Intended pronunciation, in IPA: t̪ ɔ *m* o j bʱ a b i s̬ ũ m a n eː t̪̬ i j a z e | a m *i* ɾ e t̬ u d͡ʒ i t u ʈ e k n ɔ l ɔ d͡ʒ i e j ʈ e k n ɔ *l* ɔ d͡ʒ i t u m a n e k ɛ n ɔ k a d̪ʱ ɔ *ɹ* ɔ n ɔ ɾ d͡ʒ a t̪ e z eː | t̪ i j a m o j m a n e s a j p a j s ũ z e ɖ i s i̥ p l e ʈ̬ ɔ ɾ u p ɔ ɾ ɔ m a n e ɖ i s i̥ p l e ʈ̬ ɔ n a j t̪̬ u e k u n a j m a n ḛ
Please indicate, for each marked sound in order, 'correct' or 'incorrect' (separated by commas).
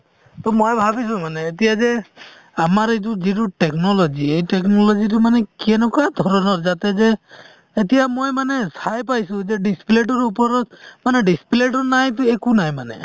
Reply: correct, incorrect, correct, incorrect